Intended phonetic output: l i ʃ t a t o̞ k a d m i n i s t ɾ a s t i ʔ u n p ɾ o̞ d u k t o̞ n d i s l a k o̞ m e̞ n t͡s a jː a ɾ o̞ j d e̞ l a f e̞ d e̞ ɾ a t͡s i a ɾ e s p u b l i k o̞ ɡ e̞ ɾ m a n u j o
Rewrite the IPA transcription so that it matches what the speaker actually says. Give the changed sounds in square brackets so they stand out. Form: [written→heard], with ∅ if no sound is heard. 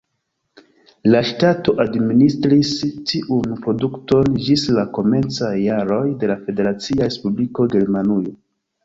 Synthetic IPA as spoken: l [i→a] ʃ t a t o̞ [k→ʔ] a d m i n i s t ɾ [a→i] s t i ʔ u n p ɾ o̞ d u k t o̞ n [d→d͡ʒ] i s l a k o̞ m e̞ n t͡s a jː a ɾ o̞ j d e̞ l a f e̞ d e̞ ɾ a t͡s i a ɾ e s p u b l i k o̞ ɡ e̞ ɾ m a n u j o